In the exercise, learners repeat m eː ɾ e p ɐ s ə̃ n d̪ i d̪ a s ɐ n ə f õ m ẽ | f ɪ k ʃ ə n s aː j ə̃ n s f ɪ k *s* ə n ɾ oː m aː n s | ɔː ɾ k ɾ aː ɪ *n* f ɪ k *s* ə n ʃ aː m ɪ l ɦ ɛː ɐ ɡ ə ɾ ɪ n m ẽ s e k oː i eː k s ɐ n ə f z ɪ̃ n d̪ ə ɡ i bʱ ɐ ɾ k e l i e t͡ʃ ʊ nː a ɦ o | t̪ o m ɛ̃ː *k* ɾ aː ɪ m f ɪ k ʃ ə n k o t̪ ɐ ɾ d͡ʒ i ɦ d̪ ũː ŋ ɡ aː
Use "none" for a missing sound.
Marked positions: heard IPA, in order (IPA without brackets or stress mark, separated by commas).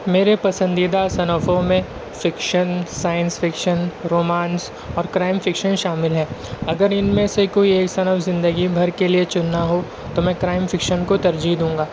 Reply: ʃ, m, ʃ, k